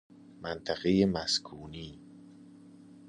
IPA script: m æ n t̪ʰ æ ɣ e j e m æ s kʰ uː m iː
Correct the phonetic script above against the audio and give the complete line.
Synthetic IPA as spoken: m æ n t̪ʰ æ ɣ e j e m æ s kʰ uː n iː

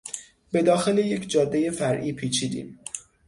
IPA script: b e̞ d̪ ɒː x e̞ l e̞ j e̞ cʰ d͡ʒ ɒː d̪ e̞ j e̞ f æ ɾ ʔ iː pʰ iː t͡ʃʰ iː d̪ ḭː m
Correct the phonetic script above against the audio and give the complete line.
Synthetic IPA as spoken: b e̞ d̪ ɒː x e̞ l e̞ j e̞ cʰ d͡ʒ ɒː d̪ː e̞ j e̞ f æ ɾ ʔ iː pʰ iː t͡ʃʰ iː d̪ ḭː m

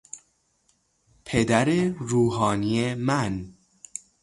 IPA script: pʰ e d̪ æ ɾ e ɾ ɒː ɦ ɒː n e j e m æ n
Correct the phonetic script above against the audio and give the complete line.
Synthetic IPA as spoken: pʰ e d̪ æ ɾ e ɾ uː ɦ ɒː n i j e m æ n

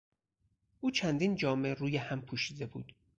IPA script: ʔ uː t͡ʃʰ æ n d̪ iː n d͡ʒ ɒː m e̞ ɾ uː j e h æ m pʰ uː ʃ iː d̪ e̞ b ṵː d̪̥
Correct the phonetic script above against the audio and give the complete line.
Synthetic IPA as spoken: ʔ uː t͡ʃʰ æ n d̪ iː n d͡ʒ ɒː m e̞ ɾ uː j e h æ m pʰ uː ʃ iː d̪ e̞ b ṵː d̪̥

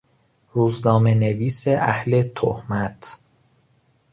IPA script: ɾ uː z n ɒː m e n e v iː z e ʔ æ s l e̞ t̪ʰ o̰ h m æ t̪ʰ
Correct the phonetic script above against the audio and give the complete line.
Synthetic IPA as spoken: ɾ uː z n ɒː m e n e v iː s e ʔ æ h l e̞ t̪ʰ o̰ h m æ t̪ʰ

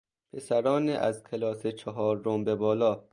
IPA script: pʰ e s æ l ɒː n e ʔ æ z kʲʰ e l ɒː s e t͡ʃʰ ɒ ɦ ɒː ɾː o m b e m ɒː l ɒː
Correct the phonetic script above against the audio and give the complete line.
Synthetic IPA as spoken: pʰ e s æ ɾ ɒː n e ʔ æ z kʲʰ e l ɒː s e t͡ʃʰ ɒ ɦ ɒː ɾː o m b e b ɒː l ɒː

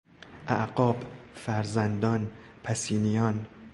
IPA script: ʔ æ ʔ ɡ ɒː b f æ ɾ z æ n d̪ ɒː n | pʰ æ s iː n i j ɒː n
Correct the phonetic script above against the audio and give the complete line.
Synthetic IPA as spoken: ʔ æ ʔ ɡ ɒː b f æ ɾ z æ n d̪ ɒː n | pʰ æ s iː n i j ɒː n

